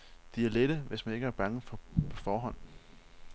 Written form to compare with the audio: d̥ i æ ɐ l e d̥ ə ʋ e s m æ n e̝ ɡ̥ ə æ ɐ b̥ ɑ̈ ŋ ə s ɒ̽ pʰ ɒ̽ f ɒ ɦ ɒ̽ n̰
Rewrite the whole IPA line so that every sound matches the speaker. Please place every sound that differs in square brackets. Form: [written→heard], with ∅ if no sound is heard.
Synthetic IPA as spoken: d̥ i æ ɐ l e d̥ ə ʋ e s m æ n e̝ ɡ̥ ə æ ɐ b̥ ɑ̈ ŋ ə [s→f] ɒ̽ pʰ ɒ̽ f [ɒ→ɒː] ɦ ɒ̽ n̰